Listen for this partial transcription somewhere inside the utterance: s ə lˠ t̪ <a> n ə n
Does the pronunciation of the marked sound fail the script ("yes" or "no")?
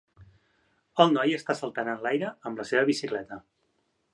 no